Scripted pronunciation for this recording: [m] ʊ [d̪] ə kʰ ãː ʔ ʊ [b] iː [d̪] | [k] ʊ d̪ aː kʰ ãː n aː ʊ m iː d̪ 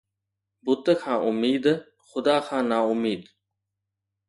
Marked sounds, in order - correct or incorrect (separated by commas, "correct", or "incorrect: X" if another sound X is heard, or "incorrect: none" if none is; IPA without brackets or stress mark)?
incorrect: b, incorrect: t̪, incorrect: m, correct, incorrect: x